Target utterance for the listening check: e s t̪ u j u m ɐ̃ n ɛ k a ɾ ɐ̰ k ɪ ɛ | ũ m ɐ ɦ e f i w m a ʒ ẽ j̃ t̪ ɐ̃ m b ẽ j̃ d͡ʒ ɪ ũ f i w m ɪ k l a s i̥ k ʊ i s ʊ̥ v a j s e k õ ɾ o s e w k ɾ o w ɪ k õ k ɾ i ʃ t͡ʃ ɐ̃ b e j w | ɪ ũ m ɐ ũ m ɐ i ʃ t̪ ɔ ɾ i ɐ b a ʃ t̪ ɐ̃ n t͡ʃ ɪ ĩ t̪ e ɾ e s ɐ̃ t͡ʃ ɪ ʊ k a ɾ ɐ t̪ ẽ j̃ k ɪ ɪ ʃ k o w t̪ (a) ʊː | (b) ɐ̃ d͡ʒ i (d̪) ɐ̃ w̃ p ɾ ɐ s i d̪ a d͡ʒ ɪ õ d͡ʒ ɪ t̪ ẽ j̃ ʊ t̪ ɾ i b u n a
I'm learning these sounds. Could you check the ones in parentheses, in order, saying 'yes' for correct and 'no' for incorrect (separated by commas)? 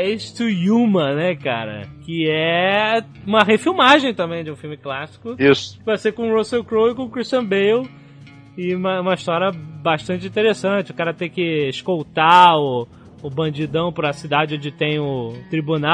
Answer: yes, yes, yes